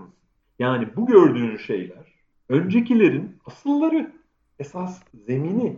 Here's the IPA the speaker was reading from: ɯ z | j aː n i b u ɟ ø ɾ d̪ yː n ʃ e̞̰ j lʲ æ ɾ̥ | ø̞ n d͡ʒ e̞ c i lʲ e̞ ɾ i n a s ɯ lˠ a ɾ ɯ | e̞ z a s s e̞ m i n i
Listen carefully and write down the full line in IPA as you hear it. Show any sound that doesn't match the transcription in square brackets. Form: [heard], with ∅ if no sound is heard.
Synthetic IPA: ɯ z | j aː n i b u ɟ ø ɾ d̪ yː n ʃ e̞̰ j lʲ æ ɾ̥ | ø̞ n d͡ʒ e̞ c i lʲ e̞ ɾ i n a s ɯ [lˠː] a ɾ ɯ | e̞ [s] a s [z] e̞ m i n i